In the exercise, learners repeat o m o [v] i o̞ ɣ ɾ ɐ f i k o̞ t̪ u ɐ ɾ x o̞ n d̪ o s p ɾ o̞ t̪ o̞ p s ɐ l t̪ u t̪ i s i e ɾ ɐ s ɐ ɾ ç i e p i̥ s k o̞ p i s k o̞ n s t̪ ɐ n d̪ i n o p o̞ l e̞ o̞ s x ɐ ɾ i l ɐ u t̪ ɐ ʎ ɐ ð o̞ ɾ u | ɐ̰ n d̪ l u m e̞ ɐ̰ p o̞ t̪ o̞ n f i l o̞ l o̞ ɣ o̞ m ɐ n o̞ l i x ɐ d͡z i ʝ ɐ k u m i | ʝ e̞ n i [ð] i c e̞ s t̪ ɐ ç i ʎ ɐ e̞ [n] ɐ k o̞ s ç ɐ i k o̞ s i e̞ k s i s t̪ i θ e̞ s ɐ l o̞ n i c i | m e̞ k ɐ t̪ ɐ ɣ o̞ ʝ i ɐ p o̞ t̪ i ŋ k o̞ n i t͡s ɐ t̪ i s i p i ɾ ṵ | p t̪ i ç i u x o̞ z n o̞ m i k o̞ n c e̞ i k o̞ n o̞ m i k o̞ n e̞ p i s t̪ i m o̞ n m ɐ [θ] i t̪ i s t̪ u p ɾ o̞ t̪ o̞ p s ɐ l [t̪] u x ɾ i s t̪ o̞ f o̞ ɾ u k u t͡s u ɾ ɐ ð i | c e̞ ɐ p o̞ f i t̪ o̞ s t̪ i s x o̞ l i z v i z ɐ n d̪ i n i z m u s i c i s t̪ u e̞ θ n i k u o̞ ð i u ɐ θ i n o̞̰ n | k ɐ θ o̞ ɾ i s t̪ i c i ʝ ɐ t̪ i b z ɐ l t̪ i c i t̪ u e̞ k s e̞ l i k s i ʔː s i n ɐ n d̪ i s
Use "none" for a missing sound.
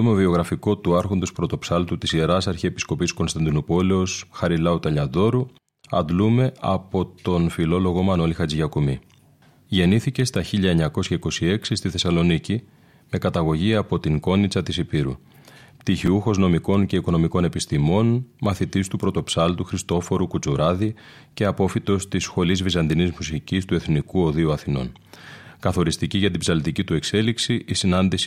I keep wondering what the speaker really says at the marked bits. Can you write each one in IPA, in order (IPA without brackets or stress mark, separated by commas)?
v, θ, ɲ, θ, t̪